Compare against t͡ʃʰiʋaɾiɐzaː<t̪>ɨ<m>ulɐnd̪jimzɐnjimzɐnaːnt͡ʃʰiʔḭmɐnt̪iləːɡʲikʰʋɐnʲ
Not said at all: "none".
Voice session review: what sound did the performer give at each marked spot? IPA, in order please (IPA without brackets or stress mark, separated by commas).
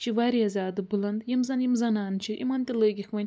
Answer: d̪, b